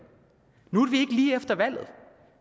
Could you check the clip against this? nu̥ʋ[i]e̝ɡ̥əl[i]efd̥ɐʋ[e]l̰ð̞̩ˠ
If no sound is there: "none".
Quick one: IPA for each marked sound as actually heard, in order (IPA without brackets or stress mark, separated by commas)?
i, iː, æ